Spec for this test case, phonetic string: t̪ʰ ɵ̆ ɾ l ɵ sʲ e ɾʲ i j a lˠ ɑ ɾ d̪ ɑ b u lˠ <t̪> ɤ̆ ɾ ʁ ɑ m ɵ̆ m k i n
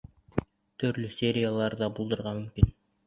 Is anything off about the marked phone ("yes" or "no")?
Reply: yes